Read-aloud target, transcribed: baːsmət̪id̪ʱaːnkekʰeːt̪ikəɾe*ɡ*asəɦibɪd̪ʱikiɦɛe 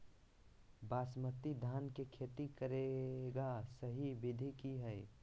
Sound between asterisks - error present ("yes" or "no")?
no